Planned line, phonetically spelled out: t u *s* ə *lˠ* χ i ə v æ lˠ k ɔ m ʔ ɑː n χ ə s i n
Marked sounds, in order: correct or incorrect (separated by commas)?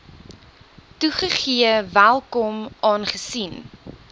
incorrect, incorrect